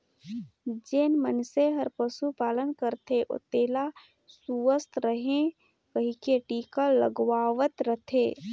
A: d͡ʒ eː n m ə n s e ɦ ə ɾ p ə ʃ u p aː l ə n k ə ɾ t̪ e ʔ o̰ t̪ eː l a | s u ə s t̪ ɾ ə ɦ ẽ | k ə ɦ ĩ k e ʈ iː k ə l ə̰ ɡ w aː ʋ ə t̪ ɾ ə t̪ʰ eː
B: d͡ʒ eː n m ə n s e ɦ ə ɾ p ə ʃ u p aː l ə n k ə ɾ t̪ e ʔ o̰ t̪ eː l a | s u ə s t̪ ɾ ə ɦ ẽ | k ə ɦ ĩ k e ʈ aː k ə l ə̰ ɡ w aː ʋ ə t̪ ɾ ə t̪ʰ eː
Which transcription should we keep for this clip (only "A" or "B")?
A